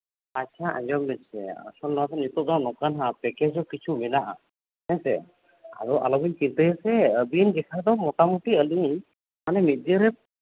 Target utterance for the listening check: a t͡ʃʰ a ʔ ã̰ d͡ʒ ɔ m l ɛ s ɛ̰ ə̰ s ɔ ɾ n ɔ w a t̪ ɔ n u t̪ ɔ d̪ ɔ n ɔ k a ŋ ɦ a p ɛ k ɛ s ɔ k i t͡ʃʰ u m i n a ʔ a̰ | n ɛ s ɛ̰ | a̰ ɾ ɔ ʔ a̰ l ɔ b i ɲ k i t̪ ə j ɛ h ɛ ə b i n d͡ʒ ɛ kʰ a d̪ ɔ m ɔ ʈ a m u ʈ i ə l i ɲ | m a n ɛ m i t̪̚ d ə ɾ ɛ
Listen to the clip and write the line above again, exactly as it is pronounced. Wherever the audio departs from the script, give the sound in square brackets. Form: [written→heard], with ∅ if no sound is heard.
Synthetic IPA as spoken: a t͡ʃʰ a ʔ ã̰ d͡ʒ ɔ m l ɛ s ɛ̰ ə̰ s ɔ [ɾ→l] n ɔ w a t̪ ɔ n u t̪ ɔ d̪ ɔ n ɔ k a [ŋ→n] ɦ a p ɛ k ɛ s ɔ k i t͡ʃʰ u m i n a ʔ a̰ | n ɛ s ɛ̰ | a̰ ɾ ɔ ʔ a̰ l ɔ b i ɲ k i t̪ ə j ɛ [h→s] ɛ ə b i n d͡ʒ ɛ kʰ a d̪ ɔ m ɔ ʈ a m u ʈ i ə l i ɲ | m a n ɛ m i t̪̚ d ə ɾ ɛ